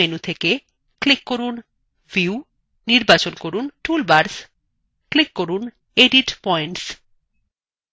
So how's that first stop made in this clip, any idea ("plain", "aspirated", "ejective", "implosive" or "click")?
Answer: aspirated